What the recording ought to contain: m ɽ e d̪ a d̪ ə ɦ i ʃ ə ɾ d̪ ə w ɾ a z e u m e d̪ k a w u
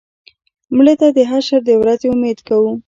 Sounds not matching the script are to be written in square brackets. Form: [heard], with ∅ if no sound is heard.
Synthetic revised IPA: m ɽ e [t̪] a d̪ ə ɦ [a] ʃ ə ɾ d̪ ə w ɾ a z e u m e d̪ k a w u